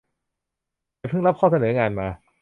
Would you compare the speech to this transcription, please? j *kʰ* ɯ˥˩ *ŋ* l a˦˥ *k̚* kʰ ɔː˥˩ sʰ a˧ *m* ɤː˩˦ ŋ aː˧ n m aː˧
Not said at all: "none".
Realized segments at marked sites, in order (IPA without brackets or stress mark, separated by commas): pʰ, ŋ, p̚, n